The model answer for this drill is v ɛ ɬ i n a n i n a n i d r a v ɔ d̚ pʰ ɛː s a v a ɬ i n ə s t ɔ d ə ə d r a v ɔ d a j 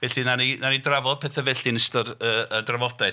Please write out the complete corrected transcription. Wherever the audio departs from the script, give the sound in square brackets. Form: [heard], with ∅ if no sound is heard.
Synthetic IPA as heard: v ɛ ɬ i n a n i n a n i d r a v ɔ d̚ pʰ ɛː [θ] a v [ɛ] ɬ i n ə s t ɔ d ə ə d r a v ɔ d a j